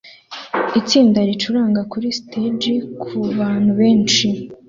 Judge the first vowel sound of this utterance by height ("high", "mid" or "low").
high